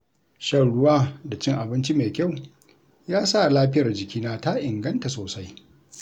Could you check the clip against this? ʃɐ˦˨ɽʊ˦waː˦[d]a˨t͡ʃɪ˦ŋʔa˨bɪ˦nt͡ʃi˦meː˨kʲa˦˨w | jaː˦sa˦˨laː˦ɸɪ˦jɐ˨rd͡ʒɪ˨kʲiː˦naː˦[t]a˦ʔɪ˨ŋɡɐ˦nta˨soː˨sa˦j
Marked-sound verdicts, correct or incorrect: correct, correct

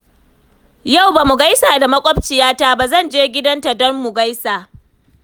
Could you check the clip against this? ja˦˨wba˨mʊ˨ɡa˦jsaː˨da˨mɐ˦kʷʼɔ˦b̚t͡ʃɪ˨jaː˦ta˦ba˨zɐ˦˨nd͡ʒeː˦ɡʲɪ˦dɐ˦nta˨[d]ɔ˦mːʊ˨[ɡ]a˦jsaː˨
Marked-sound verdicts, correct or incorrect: correct, correct

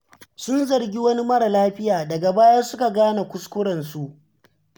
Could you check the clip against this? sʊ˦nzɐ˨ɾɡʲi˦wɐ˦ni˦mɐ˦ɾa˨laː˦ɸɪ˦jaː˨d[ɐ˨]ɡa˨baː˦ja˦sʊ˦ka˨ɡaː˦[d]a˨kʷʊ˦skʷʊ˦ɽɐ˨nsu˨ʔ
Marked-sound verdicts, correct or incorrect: correct, incorrect: n

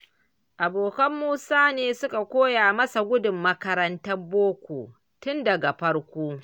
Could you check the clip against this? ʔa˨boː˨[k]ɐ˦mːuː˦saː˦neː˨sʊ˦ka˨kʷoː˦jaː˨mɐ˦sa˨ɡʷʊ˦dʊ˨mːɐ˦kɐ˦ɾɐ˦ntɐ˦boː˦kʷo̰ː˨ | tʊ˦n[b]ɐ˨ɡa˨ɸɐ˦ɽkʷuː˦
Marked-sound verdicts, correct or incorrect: correct, incorrect: d

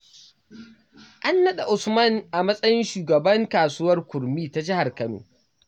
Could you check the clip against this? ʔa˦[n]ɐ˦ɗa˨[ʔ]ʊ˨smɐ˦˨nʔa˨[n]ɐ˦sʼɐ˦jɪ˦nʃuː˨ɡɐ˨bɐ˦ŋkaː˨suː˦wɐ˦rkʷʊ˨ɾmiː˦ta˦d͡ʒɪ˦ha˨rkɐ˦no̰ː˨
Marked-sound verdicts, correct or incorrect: incorrect: nː, correct, incorrect: m

